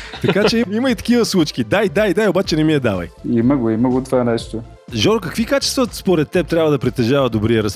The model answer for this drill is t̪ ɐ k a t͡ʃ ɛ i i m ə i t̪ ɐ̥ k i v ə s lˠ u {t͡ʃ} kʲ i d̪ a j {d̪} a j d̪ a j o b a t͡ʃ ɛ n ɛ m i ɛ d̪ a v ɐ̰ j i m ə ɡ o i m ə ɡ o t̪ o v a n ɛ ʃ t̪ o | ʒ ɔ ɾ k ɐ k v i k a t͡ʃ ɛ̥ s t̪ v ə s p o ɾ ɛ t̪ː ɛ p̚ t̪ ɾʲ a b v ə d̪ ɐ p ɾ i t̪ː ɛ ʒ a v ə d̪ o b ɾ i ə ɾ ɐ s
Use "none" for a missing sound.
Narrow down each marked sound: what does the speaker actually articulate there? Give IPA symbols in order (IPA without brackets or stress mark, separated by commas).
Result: t͡ʃ, d̪